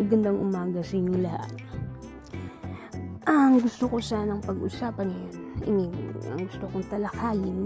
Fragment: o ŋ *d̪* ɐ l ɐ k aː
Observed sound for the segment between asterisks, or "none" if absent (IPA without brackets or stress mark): t̪